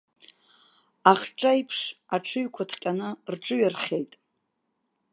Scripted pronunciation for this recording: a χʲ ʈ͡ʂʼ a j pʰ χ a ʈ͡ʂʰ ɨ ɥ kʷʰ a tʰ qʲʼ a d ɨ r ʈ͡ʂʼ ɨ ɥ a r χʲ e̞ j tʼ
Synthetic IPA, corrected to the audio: a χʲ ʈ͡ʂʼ a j pʰ ʂ a ʈ͡ʂʰ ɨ ɥ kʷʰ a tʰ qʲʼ a n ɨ r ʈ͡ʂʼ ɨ ɥ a r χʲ e̞ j tʼ